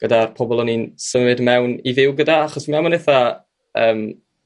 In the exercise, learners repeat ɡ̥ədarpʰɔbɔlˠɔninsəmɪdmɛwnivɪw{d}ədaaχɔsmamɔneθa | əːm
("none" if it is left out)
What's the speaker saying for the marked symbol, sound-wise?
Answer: ɡ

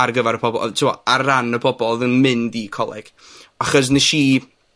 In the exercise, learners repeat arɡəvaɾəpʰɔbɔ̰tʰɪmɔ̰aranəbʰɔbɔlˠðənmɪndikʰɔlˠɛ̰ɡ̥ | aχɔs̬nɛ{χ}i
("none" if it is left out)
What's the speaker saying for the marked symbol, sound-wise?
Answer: ʃ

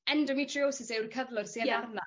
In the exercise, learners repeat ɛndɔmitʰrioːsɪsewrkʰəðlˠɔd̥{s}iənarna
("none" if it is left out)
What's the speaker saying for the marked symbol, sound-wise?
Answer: s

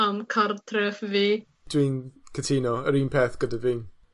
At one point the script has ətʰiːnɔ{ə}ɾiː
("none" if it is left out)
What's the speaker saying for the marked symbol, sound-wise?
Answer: ə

